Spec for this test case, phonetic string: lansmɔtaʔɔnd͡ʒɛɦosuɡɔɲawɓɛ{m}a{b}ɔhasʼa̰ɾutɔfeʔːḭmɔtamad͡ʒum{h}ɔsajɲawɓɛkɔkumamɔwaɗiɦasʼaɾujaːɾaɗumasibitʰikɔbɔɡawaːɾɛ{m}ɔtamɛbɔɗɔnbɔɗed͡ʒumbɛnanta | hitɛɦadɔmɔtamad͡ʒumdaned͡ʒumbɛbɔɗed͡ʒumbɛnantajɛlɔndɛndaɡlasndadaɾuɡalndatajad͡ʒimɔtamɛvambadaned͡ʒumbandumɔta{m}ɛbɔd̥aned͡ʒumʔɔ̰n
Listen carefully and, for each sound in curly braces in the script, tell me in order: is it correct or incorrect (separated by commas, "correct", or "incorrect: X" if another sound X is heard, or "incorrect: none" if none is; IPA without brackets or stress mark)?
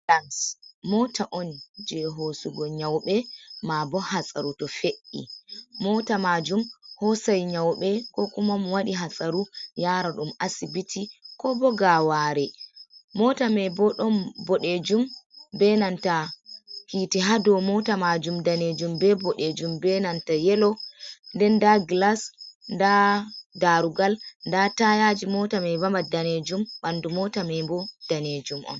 correct, correct, correct, correct, correct